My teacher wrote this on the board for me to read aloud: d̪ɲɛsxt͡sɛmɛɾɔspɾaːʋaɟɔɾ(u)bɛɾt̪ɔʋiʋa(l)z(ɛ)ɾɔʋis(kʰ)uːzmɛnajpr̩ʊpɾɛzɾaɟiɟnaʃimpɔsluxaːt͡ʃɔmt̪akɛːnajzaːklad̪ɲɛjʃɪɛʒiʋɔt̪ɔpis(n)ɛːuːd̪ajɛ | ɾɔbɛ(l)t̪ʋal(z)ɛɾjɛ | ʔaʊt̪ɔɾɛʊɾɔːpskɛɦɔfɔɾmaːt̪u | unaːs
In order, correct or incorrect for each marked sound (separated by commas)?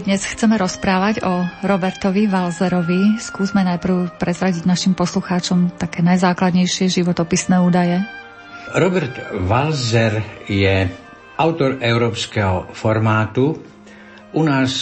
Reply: incorrect, correct, correct, incorrect, correct, incorrect, correct